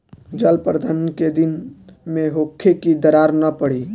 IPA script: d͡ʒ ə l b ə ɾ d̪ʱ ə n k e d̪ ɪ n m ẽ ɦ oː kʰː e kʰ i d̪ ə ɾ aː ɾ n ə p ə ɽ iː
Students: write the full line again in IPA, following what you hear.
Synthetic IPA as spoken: d͡ʒ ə l p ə ɾ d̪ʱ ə n k e d̪ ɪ n m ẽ ɦ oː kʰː e k i d̪ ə ɾ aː ɾ n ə p ə ɽ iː